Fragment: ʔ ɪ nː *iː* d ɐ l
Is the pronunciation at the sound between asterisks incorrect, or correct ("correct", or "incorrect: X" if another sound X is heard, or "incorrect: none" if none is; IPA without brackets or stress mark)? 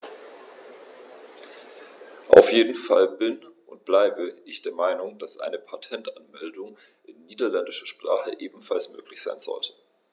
correct